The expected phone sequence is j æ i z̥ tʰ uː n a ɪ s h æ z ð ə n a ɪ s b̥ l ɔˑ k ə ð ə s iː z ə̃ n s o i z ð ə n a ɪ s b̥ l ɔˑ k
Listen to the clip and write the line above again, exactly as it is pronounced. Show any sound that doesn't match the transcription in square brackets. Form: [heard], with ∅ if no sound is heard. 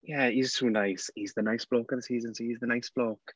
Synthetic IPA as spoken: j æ i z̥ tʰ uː n a ɪ s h [i] z ð ə n a ɪ s b̥ l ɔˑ k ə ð ə s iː z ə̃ n s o i z ð ə n a ɪ s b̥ l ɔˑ k

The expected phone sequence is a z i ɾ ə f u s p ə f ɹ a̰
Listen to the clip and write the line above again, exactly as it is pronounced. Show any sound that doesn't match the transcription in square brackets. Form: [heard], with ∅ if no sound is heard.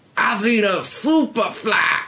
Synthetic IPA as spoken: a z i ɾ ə [s] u [∅] p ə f [l] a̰

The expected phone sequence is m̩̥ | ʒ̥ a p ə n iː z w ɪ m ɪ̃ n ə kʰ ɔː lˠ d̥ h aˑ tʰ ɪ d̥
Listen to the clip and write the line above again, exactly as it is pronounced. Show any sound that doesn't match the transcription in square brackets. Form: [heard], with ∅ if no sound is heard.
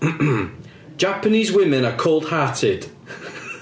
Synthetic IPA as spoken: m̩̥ | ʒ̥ a p ə n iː z w ɪ m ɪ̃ n ə kʰ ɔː lˠ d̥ h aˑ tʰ ɪ d̥

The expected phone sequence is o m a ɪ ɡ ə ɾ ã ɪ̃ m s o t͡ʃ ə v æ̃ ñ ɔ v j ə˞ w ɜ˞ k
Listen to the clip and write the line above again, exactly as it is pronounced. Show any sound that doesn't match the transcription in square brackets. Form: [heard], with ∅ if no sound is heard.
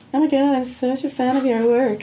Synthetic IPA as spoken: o m a ɪ ɡ [ɑ] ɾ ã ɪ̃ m s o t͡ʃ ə [f] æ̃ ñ [ʌ] v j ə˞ w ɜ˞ k

